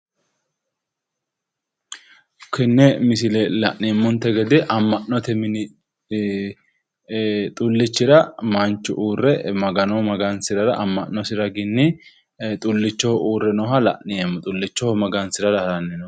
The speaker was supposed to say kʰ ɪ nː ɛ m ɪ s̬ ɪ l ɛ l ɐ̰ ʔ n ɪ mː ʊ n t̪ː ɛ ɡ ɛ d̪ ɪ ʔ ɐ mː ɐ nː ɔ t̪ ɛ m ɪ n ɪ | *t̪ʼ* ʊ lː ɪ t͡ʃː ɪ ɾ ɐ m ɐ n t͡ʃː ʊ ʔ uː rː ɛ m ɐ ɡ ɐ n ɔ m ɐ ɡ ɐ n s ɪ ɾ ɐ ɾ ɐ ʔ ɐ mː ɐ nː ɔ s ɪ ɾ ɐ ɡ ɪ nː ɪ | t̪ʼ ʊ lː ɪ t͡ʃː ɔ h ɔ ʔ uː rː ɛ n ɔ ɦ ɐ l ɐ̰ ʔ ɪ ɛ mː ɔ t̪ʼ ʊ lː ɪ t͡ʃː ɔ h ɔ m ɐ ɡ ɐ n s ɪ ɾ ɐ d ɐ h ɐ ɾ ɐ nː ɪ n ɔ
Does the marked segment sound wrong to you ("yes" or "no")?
no